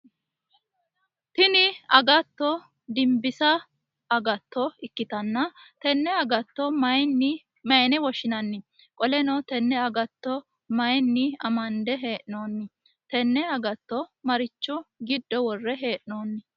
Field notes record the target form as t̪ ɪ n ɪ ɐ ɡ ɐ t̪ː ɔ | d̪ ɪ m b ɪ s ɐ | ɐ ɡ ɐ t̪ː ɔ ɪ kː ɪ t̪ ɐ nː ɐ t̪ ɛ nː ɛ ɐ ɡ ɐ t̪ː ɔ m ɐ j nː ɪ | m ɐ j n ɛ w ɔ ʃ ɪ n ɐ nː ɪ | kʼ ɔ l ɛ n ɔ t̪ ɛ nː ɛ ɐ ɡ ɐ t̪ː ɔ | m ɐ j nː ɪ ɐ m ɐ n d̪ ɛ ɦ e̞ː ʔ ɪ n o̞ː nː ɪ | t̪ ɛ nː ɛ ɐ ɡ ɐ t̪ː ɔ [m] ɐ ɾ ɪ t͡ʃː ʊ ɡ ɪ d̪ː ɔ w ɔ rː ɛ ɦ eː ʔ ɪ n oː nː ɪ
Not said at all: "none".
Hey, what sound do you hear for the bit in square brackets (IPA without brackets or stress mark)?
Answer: m